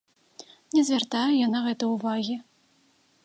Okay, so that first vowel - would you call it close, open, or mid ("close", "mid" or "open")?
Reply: mid